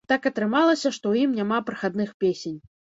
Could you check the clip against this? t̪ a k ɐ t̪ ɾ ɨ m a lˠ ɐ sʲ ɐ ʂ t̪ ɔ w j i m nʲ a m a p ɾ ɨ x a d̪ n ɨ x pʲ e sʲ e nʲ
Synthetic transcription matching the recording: t̪ a k ɐ t̪ ɾ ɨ m a lˠ ɐ sʲ ɐ ʂ t̪ ɔ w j i m nʲ a m a p ɾ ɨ x a d̪ n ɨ x pʲ e sʲ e nʲ